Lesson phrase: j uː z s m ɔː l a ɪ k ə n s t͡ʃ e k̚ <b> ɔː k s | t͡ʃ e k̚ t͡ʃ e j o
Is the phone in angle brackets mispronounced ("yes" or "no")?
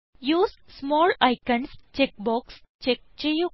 no